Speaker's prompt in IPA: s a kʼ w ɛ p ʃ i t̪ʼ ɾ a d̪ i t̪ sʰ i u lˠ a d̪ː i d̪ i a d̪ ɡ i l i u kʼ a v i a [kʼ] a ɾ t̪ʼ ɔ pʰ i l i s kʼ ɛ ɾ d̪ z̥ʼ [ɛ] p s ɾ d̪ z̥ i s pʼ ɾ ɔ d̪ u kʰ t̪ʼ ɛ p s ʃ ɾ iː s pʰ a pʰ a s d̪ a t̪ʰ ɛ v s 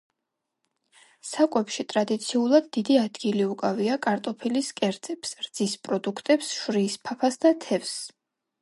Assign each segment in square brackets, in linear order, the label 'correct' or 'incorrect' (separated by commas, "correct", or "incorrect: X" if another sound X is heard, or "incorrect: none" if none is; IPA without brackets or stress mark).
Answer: correct, correct